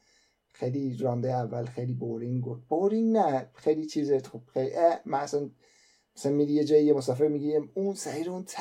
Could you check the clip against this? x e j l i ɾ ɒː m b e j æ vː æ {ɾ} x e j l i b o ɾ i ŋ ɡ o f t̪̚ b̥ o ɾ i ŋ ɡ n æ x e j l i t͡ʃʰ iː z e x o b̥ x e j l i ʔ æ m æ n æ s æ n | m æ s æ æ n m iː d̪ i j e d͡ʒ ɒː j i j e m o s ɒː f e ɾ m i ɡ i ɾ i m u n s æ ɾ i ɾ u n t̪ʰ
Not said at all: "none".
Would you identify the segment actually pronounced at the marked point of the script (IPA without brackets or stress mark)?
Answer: l